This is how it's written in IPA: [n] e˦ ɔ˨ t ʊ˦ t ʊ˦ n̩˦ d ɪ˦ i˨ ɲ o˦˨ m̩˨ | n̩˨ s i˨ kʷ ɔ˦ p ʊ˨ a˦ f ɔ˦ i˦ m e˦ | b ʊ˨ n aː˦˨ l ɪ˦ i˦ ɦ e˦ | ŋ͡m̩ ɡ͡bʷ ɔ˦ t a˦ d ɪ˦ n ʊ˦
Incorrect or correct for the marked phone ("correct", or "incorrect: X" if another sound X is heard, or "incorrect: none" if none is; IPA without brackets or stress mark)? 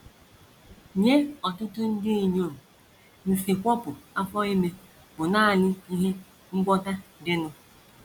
incorrect: ɲ